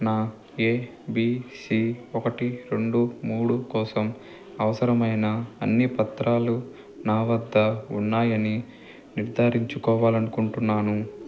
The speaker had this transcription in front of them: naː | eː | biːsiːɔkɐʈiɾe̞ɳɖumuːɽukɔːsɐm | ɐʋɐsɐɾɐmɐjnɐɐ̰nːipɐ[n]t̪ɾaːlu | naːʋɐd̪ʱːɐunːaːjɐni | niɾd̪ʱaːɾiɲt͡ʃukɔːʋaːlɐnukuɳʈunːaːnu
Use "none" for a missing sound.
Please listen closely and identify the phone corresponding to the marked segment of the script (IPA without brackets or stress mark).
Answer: none